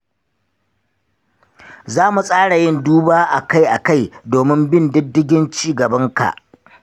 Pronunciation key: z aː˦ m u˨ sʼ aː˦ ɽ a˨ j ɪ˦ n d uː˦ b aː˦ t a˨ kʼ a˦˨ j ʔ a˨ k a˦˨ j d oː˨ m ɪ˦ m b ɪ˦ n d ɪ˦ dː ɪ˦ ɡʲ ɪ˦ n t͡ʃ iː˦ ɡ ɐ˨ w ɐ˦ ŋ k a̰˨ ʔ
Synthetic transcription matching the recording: z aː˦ m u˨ sʼ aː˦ ɽ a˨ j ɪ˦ n d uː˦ b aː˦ ʔ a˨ k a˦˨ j ʔ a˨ k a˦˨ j d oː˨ m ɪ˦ m b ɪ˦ n d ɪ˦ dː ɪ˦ ɡʲ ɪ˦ n t͡ʃ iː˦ ɡ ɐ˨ b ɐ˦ ŋ k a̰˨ ʔ